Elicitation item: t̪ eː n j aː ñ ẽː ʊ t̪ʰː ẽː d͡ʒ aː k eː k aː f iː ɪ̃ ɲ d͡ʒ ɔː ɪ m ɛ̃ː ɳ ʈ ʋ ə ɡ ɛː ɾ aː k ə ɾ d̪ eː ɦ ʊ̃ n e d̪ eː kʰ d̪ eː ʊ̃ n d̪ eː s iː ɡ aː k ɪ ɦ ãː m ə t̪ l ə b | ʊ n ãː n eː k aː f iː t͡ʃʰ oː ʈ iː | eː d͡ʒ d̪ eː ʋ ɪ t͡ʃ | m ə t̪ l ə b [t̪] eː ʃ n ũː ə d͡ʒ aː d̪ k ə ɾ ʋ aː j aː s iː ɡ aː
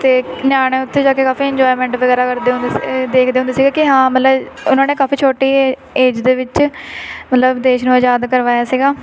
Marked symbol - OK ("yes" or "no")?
no